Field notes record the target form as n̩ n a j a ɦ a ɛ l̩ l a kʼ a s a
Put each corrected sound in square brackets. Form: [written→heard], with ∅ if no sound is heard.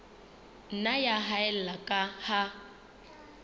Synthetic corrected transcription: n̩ n a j a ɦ a ɛ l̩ l a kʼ a [s→h] a

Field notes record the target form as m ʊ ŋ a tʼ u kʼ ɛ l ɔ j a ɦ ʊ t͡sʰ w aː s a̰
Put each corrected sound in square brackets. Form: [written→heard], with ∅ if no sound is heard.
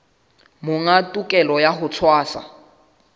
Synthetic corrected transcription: m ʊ ŋ a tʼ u kʼ ɛ l ɔ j a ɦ ʊ t͡sʰ w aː s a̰

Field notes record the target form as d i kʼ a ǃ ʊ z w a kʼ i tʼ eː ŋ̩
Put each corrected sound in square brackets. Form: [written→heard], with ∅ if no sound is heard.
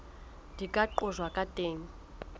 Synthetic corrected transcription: d i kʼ a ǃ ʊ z w a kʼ [i→a] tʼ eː ŋ̩

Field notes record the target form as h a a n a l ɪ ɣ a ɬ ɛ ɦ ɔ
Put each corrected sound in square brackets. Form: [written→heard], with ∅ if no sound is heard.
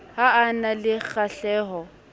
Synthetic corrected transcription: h a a n a l ɪ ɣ a ɬ [ɛ→ɛː] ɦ ɔ

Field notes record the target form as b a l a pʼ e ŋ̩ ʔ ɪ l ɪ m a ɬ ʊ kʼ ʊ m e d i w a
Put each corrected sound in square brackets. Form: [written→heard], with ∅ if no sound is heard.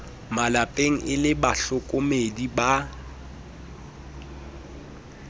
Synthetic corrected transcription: [b→m] a l a pʼ e ŋ̩ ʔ ɪ l ɪ [m→b] a ɬ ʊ kʼ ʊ m e d i [w→b] a

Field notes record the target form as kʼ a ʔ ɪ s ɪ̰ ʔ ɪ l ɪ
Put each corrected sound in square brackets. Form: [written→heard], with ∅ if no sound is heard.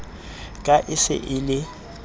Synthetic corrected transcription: kʼ a ʔ ɪ s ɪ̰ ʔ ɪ l ɪ

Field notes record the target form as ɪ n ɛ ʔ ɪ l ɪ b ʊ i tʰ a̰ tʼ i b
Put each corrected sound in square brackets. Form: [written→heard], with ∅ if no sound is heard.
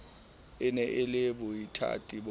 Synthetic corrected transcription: ɪ n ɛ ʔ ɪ l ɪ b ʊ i tʰ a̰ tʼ i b

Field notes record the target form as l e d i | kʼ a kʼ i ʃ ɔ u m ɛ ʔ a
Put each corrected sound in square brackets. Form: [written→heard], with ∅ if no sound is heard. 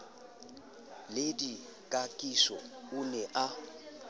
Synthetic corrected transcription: l e d i | kʼ a kʼ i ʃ ɔ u [m→n] ɛ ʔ a

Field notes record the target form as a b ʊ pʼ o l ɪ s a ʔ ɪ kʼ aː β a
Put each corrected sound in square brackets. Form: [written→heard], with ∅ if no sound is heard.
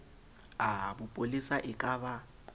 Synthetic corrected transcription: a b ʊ pʼ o l [ɪ→i] s a ʔ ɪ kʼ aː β a

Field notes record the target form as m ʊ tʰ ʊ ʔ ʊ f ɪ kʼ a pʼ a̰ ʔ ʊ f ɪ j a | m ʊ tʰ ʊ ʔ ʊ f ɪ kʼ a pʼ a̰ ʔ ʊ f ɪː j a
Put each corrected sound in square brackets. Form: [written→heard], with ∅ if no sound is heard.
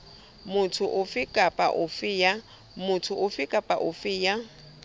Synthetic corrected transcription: m ʊ tʰ ʊ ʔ ʊ f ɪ kʼ a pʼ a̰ ʔ ʊ f ɪ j a | m ʊ tʰ ʊ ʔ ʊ f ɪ kʼ a pʼ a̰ ʔ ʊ f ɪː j a

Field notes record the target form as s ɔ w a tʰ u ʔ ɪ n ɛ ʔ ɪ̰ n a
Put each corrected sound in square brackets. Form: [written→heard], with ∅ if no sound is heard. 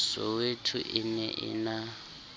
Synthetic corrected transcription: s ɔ w [a→e] tʰ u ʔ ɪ n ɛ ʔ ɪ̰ n a

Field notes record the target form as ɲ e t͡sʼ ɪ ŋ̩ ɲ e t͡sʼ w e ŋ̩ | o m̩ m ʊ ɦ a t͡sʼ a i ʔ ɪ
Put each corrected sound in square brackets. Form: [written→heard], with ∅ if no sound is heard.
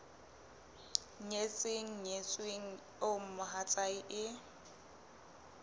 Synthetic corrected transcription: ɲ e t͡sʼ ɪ ŋ̩ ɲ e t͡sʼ w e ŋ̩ | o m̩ m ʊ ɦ a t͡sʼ a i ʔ ɪ

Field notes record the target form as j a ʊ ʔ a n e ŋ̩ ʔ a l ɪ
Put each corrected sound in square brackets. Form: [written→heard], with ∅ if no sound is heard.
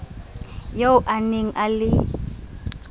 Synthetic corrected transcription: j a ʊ ʔ a n e ŋ̩ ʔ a l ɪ

